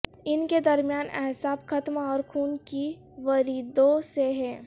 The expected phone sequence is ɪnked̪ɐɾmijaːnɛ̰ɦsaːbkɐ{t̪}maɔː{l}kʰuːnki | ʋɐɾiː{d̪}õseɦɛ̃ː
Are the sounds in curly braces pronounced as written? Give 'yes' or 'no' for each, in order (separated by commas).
yes, no, yes